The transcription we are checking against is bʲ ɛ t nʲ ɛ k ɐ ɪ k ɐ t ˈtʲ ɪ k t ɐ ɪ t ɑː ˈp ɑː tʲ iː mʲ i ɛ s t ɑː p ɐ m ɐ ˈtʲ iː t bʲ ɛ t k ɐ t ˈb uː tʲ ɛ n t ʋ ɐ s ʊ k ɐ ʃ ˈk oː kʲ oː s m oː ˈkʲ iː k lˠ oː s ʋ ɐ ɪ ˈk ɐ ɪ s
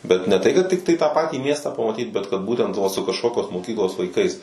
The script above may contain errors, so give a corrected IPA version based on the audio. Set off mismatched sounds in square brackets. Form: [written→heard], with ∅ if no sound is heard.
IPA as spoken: bʲ ɛ t nʲ ɛ [k→t] ɐ ɪ k ɐ t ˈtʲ ɪ k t ɐ ɪ t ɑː ˈp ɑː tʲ iː mʲ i ɛ s t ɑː p ɐ m ɐ ˈtʲ iː t bʲ ɛ t k ɐ t ˈb uː tʲ ɛ n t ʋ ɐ s ʊ k ɐ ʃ ˈk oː kʲ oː s m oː ˈkʲ iː k lˠ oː s ʋ ɐ ɪ ˈk ɐ ɪ s